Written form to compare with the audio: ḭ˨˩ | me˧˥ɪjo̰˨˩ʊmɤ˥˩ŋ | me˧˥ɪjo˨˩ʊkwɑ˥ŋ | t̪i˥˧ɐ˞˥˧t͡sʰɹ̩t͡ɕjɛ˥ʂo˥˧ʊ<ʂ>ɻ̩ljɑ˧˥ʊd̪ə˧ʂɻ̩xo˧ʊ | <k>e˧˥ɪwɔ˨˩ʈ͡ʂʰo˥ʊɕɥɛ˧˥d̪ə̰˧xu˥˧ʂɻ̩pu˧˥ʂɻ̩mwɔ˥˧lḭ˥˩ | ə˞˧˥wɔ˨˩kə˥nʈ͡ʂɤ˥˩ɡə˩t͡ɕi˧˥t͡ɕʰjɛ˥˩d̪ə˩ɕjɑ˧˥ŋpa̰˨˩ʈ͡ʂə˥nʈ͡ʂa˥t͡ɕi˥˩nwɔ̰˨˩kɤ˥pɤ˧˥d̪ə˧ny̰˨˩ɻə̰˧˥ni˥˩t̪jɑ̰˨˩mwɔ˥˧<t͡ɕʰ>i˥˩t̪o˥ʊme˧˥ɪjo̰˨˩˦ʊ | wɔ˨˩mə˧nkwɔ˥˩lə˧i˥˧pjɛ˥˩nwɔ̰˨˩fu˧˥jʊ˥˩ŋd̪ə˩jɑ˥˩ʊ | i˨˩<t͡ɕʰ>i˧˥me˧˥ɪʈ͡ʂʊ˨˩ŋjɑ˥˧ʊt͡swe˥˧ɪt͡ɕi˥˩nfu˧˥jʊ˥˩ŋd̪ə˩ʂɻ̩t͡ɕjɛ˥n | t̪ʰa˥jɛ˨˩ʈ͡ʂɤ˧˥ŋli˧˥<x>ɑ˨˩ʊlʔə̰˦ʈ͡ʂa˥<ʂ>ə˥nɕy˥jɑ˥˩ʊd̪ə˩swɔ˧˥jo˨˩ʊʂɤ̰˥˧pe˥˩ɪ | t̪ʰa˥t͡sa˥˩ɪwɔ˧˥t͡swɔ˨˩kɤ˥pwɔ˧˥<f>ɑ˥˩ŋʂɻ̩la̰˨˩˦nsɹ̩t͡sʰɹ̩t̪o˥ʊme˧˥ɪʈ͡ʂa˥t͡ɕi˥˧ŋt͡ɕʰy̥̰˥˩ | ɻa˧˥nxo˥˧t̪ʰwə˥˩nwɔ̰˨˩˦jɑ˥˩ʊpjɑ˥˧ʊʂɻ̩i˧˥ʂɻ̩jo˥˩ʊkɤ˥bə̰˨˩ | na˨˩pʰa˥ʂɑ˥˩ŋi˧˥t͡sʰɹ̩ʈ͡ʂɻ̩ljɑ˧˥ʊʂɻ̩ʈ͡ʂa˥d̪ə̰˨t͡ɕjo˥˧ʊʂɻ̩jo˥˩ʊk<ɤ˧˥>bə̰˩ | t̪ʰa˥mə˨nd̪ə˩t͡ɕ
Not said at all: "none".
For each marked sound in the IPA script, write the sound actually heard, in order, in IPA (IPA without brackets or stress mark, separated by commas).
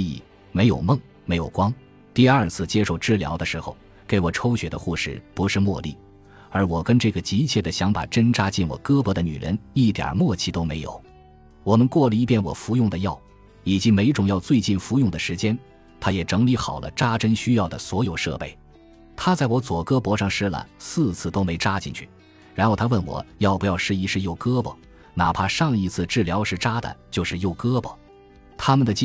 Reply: ʈ͡ʂ, k, t͡ɕʰ, t͡ɕ, x, ʈ͡ʂ, ʂ, ɤ˥